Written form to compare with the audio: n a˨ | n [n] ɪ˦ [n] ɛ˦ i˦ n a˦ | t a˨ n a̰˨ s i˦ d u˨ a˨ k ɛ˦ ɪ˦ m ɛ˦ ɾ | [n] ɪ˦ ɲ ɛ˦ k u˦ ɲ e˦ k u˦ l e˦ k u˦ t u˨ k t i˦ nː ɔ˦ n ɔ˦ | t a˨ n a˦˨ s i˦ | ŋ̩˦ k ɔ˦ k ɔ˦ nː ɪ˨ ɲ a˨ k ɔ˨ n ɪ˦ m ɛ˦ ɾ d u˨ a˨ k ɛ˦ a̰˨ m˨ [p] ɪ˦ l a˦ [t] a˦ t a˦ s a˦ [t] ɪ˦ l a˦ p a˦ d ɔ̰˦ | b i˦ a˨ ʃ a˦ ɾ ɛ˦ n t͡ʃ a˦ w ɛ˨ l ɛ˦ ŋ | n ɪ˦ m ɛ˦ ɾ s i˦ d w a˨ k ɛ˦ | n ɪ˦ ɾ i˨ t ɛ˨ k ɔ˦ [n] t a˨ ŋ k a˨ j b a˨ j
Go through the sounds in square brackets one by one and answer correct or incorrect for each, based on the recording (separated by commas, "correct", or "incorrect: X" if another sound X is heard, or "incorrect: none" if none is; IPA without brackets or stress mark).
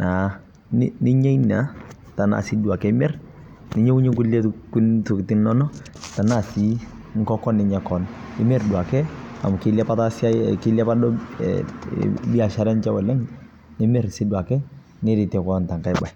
correct, incorrect: ɲ, correct, incorrect: k, incorrect: p, incorrect: k, correct